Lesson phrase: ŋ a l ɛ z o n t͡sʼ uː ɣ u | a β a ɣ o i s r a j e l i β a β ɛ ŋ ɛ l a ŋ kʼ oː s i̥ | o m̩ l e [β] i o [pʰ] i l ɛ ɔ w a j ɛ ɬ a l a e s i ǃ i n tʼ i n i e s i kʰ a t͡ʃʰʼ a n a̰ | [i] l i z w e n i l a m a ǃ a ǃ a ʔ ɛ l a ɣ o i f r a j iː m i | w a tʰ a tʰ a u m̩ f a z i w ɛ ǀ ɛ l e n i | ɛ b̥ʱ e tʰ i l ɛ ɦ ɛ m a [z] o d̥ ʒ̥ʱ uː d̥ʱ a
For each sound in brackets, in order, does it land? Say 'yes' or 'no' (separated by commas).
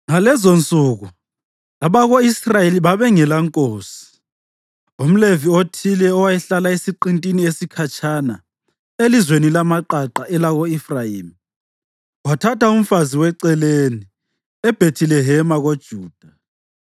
no, no, no, no